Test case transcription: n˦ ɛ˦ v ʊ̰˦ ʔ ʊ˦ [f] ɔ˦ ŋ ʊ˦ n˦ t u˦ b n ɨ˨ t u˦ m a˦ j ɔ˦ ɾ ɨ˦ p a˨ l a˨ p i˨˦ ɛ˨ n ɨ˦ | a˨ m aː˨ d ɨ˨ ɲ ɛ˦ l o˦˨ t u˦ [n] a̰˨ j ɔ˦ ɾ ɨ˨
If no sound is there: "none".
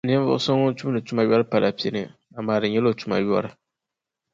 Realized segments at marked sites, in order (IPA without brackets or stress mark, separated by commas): s, m